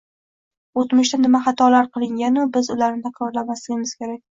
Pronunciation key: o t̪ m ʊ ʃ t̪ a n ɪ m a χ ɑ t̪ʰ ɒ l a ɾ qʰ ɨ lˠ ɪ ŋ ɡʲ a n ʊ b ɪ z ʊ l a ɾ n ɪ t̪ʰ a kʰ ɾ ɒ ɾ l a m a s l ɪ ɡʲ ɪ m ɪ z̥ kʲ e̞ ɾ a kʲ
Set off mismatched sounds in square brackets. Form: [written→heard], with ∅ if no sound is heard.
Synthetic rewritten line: o t̪ m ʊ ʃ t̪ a n ɪ m a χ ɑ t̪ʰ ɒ l a ɾ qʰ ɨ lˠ ɪ ŋ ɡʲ a n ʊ b ɪ z ʊ l a ɾ n ɪ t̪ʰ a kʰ ɾ ɒ ɾ l a m a s l ɪ ɡʲ ɪ m ɪ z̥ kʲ e̞ ɾ a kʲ